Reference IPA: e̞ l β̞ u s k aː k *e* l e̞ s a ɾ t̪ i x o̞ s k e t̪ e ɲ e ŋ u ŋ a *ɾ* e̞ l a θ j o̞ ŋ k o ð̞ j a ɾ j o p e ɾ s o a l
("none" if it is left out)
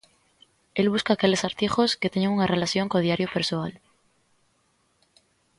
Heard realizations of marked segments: e, r

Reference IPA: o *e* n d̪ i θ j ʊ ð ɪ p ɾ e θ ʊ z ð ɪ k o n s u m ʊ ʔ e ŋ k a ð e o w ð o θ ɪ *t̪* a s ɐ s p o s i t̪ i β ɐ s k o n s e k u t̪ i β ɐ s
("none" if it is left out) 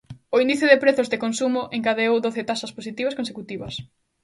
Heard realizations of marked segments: i, t̪

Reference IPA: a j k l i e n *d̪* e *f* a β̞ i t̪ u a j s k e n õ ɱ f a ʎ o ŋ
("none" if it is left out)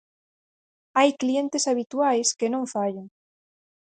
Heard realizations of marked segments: t̪, s

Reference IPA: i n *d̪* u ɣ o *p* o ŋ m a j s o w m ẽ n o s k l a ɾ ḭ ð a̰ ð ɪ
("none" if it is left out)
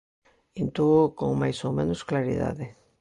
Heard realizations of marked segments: t̪, k

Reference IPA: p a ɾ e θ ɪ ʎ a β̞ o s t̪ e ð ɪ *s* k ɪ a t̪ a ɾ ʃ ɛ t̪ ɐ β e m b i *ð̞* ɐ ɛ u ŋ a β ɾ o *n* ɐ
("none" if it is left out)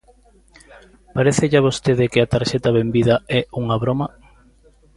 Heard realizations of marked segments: none, ð̞, m

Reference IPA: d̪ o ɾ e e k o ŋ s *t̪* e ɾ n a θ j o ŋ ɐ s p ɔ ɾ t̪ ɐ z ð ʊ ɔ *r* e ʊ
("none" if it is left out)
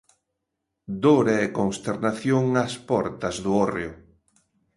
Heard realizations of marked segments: t̪, r

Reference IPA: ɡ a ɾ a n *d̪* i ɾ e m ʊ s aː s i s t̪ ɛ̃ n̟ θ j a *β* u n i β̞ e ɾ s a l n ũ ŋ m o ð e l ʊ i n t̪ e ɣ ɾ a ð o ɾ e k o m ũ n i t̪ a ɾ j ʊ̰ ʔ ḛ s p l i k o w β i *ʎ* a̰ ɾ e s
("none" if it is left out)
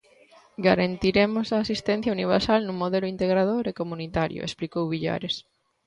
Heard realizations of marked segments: t̪, none, ʎ

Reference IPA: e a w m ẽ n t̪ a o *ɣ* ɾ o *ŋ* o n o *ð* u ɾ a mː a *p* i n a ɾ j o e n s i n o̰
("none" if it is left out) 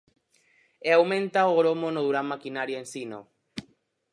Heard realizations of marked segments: ɣ, m, ð, k

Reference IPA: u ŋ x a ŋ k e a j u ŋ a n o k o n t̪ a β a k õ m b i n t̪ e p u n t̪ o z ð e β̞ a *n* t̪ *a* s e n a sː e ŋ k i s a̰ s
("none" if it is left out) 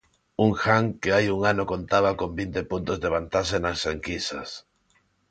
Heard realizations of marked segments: n, a

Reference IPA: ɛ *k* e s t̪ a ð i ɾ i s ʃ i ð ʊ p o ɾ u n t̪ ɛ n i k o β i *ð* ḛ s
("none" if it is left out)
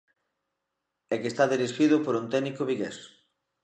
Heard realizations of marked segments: k, ɣ

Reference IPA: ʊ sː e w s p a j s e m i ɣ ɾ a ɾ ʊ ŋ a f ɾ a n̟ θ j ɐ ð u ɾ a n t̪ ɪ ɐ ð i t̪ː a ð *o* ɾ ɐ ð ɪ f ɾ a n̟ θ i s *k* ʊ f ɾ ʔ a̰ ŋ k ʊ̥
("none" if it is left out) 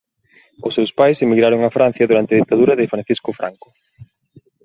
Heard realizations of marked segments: u, k

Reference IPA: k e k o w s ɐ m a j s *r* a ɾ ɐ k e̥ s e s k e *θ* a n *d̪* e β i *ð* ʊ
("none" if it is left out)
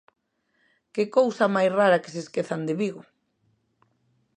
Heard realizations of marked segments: r, θ, d̪, ɣ

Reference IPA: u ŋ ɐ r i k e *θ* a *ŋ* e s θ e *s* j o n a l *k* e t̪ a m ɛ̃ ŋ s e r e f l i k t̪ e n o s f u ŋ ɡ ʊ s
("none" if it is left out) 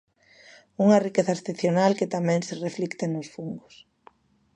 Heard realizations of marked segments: θ, none, θ, k

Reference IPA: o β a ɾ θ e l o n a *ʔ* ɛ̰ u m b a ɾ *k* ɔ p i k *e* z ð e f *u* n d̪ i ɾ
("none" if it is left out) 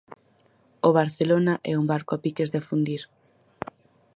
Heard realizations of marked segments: ʔ, k, e, u

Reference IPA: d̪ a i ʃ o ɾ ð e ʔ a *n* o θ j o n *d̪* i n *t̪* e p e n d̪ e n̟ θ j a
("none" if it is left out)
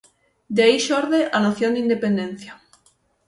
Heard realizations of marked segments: n, d̪, d̪

